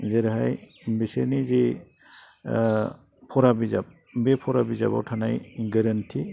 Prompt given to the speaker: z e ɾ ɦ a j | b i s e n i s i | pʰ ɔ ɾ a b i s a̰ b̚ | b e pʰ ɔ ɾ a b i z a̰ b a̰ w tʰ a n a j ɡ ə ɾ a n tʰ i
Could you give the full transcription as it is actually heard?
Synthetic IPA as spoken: z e ɾ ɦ a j | b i s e n i z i | pʰ ɔ ɾ a b i z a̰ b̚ | b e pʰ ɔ ɾ a b i z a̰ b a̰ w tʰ a n a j ɡ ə ɾ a n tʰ i